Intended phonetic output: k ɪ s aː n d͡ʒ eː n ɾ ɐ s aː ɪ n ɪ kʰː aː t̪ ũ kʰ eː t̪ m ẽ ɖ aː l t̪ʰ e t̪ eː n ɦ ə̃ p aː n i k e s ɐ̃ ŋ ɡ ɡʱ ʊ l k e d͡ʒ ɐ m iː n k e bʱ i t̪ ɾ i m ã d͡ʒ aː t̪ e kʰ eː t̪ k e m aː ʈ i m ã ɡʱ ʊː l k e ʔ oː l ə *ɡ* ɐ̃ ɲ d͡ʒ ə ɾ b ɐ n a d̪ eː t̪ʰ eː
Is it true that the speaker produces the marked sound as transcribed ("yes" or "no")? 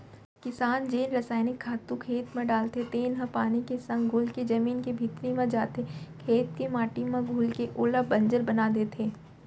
no